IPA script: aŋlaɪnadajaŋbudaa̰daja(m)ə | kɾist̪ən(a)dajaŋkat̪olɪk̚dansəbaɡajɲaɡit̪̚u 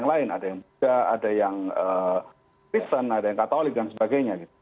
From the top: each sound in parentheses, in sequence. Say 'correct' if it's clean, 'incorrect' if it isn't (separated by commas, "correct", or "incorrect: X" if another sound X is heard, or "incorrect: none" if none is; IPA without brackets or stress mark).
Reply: incorrect: ŋ, correct